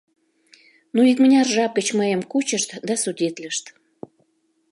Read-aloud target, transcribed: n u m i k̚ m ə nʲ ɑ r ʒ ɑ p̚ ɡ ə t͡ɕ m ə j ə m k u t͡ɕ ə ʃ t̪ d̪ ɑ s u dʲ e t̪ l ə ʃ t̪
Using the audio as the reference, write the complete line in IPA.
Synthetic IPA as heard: n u i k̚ m ə nʲ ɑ r ʒ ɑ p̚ ɡ ə t͡ɕ m ə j ə m k u t͡ɕ ə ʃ t̪ d̪ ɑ s u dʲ e t̪ l ə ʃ t̪